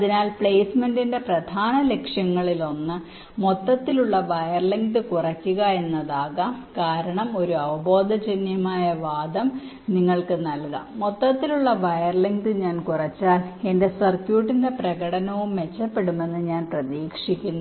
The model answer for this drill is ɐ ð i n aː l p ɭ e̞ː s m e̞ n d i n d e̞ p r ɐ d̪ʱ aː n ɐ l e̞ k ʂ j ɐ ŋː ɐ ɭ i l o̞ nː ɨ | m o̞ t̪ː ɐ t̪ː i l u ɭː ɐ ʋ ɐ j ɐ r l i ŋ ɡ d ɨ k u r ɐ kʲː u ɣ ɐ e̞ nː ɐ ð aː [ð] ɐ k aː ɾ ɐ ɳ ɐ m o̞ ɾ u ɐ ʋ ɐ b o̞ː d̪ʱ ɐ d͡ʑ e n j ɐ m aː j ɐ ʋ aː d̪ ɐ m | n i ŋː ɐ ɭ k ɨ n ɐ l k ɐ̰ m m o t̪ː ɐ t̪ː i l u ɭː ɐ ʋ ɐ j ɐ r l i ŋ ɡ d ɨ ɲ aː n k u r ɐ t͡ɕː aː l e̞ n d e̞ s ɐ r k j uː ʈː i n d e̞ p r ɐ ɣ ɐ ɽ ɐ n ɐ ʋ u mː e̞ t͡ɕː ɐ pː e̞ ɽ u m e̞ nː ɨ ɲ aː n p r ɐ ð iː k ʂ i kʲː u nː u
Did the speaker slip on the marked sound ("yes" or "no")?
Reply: yes